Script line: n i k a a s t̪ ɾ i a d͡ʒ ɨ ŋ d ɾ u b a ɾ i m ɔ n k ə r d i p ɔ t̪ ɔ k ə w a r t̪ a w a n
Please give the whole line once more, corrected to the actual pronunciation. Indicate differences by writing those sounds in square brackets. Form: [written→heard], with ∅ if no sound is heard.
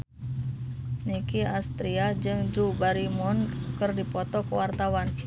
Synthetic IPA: n i k [a→i] a s t̪ ɾ i a d͡ʒ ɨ ŋ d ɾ u b a ɾ i m ɔ n k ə r d i p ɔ t̪ ɔ k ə w a r t̪ a w a n